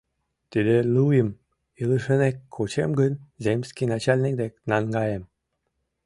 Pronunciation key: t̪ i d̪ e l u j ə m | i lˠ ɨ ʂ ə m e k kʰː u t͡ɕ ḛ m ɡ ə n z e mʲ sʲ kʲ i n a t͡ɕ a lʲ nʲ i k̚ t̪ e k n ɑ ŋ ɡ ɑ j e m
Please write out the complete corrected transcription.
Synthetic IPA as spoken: t̪ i d̪ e l u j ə m | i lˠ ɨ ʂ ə n e k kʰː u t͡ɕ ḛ m ɡ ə n z e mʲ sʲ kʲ i n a t͡ɕ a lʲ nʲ i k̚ d̪ e k n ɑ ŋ ɡ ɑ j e m